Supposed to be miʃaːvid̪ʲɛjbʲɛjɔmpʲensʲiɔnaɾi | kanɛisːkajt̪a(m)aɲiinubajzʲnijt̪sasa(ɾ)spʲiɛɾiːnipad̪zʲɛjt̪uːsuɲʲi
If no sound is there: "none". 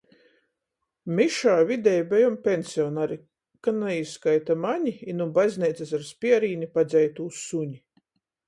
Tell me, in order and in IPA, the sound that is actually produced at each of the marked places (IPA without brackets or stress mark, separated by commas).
m, ɾ